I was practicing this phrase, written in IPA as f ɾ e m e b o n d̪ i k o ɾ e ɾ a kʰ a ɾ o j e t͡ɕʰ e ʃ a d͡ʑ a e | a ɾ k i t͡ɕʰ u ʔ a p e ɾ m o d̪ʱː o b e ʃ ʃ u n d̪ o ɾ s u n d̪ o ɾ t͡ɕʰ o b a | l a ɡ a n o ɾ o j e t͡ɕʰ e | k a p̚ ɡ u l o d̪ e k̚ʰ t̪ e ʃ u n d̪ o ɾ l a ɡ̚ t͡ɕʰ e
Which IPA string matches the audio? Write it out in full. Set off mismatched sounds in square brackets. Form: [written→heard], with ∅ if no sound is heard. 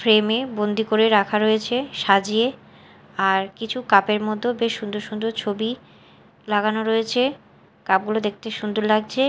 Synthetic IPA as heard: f ɾ e m e b o n d̪ i k o ɾ e ɾ a kʰ a ɾ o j e t͡ɕʰ e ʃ a d͡ʑ [a→i] e | a ɾ k i t͡ɕʰ u [ʔ→k] a p e ɾ m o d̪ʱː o b e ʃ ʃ u n d̪ o ɾ [s→ʃ] u n d̪ o ɾ t͡ɕʰ o b [a→i] | l a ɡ a n o ɾ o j e t͡ɕʰ e | k a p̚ ɡ u l o d̪ e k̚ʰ t̪ e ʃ u n d̪ o ɾ l a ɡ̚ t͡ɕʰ e